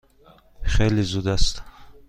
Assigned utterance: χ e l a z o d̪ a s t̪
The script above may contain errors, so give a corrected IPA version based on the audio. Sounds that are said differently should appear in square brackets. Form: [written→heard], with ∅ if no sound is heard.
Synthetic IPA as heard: χ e l [a→i] z [o→u] d̪ a s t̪